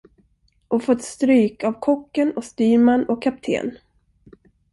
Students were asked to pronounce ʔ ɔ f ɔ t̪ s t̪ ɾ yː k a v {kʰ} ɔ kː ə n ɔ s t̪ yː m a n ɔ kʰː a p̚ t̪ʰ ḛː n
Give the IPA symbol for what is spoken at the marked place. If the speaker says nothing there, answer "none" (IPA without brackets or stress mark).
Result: kʰ